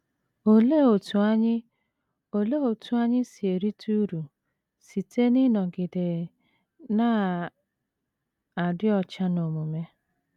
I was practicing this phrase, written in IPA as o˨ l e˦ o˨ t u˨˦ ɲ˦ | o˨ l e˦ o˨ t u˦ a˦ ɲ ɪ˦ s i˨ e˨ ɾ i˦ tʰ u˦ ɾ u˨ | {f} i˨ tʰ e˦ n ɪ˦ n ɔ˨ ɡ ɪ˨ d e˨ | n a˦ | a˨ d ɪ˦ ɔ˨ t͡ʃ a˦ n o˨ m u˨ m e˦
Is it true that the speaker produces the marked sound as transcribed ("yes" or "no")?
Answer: no